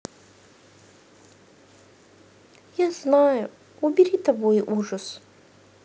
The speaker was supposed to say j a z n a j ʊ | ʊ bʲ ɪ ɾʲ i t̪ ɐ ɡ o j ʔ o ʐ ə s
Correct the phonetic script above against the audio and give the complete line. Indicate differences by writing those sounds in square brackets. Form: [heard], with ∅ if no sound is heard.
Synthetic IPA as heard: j a z n a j ʊ | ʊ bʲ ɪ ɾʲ i t̪ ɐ [b] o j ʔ [u] ʐ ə s